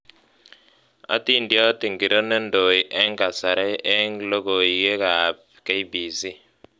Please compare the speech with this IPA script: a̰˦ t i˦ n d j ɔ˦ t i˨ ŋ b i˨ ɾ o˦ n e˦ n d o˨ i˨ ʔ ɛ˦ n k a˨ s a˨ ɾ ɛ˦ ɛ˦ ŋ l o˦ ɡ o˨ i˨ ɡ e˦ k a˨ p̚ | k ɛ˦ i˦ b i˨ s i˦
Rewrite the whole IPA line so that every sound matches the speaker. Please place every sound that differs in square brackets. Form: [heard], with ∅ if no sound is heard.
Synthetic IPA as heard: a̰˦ t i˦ n d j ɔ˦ t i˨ ŋ [ɡ] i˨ ɾ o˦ n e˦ n d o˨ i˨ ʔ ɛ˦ [ŋ] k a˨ s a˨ ɾ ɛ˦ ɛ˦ ŋ l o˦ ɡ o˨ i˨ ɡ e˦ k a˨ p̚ | k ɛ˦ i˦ b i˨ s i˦

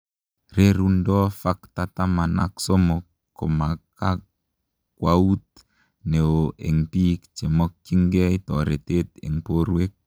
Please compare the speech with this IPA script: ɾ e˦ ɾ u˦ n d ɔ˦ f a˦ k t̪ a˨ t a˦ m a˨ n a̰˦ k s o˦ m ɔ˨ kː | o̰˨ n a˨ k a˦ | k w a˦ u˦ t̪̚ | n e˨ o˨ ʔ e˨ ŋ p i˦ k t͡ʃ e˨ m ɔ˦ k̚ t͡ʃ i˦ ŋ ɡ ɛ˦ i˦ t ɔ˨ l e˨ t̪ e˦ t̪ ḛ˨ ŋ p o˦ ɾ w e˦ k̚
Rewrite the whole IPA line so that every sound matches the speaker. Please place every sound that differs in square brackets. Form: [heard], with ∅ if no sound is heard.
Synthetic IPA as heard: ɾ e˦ ɾ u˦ n d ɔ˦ f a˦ k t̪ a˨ t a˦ m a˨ n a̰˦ k s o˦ m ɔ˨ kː | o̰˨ [m] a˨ k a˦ | k w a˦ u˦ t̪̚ | n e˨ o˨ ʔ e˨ ŋ p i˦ k t͡ʃ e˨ m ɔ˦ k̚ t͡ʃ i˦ ŋ ɡ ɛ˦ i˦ t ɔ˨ [ɾ] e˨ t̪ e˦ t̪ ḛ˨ ŋ p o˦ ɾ w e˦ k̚

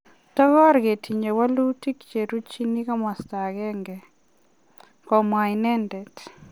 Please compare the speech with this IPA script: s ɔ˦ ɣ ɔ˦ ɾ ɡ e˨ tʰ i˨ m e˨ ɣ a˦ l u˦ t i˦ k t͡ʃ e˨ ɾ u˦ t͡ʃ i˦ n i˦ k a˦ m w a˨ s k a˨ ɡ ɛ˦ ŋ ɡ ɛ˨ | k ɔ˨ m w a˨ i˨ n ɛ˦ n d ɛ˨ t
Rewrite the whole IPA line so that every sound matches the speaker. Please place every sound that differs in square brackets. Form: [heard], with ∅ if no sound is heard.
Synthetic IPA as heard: [t] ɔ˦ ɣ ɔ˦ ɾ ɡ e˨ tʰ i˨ [ɲ] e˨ [w] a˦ l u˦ t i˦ k t͡ʃ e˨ ɾ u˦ t͡ʃ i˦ n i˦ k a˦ m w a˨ s [t] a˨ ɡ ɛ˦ ŋ ɡ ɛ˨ | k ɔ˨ m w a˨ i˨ n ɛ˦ n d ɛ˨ t

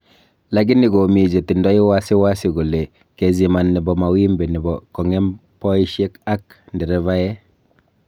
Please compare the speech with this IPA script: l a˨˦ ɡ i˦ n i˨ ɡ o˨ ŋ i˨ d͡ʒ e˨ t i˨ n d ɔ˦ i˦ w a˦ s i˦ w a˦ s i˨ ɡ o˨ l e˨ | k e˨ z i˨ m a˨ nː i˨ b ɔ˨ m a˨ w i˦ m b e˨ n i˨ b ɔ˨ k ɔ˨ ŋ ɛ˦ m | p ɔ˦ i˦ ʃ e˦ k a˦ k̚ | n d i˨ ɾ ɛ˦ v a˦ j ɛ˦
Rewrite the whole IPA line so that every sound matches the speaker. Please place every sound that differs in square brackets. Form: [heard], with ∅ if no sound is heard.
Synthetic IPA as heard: l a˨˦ ɡ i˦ n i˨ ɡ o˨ [m] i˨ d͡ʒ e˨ t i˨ n d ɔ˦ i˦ w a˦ s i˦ w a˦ s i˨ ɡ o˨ l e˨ | k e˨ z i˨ m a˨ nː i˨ b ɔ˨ m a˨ w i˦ m b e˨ n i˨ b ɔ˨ k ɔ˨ ŋ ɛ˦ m | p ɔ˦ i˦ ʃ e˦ k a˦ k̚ | n d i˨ ɾ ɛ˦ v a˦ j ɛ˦

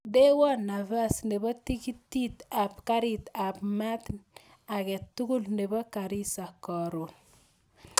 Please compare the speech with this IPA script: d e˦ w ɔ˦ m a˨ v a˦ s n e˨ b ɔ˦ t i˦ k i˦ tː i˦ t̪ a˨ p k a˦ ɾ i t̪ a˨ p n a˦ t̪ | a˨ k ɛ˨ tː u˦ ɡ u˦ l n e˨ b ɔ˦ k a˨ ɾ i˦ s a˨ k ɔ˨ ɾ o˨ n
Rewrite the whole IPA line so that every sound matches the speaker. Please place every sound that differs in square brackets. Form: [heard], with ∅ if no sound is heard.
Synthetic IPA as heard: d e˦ w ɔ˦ [n] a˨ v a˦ s n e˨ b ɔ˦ t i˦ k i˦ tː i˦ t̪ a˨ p k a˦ ɾ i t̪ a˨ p [m] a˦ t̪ | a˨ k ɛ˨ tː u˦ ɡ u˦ l n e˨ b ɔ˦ k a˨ ɾ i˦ s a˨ k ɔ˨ ɾ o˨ n

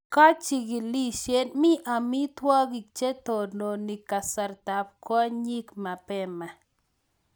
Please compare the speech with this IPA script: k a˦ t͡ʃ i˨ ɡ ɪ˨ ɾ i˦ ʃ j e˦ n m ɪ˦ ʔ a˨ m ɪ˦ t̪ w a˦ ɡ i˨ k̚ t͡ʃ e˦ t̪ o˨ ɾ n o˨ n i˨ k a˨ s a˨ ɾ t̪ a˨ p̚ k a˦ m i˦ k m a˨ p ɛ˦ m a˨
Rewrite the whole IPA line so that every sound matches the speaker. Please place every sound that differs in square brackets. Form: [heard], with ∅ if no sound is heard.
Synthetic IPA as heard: k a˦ t͡ʃ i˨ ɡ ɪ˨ [l] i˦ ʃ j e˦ n m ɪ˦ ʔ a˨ m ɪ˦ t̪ w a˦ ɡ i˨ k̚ t͡ʃ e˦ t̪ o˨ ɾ n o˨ n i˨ k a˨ s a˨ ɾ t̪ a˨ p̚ k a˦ [ɲ] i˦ k m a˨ p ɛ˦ m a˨

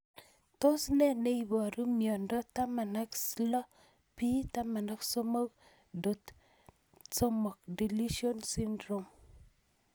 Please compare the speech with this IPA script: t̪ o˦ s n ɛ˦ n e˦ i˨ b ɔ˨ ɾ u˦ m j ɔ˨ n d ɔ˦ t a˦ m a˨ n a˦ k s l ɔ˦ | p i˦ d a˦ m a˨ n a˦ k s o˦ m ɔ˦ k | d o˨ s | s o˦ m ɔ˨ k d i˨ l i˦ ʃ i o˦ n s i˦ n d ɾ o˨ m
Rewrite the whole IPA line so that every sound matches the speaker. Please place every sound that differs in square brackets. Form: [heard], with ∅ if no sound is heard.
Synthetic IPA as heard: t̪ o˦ s n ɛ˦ n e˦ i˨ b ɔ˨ ɾ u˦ m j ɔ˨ n d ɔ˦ t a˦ m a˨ n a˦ k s l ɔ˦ | p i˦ [t] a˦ m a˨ n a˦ k s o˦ m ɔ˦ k | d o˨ [t] | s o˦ m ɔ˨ k d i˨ l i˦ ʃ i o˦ n s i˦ n d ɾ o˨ m

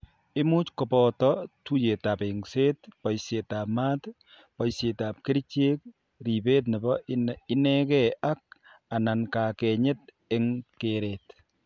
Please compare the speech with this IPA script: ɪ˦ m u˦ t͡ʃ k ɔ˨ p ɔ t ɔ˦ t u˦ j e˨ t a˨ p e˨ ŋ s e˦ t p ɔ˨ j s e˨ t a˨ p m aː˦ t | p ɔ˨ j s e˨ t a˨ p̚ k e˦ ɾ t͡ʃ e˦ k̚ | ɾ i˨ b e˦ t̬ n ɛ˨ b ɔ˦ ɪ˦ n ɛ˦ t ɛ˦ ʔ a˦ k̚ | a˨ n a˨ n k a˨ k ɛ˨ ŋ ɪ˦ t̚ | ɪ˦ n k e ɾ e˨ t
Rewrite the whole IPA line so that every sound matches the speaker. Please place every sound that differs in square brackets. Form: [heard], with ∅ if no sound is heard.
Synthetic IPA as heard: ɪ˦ m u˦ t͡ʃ k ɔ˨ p ɔ t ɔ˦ t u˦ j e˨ t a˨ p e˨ ŋ s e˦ t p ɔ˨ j s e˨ t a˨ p m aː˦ t | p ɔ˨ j s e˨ t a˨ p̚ k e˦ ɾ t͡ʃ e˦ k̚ | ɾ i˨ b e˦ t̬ n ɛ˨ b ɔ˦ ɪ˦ n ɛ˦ [k] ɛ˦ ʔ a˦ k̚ | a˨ n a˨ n k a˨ k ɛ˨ [ɲ] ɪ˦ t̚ | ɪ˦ [ŋ] k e ɾ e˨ t

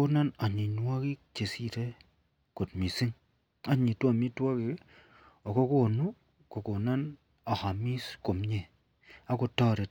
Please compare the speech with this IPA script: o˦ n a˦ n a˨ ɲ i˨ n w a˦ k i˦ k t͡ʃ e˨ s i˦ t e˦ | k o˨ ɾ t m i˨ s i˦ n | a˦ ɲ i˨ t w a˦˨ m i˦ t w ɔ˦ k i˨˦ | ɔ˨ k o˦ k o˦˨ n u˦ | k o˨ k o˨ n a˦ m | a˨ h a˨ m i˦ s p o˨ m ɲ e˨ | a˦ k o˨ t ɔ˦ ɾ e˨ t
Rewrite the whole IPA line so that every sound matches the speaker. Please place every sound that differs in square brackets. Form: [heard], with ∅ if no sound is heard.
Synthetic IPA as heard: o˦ n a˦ n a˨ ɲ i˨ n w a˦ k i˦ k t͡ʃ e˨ s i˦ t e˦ | k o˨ [∅] t m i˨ s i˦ [ŋ] | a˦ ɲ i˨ t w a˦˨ m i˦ t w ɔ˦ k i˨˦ | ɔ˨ k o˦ k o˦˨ n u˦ | k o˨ k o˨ n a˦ [n] | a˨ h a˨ m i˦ s [k] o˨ m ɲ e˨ | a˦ k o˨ t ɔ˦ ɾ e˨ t

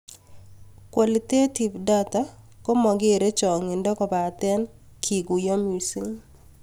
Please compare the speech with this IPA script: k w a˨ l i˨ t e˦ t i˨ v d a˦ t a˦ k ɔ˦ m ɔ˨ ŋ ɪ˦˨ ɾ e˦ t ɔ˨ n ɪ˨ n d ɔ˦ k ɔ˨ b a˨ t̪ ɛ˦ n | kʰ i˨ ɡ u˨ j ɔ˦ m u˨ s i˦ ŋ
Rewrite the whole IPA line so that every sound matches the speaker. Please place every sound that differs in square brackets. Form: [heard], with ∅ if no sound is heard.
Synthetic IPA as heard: k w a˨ l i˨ t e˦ t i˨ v d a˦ t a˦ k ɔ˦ m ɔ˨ [ɡ] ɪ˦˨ ɾ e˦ [t͡ʃ] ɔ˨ [ŋ] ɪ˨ n d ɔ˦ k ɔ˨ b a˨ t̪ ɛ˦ n | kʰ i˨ ɡ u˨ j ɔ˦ m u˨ s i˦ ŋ

